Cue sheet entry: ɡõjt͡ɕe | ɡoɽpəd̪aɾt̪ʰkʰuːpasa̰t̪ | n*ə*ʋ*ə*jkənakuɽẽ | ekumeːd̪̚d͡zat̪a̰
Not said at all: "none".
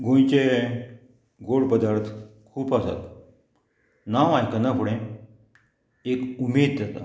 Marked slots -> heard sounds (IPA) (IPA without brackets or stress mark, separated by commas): a, a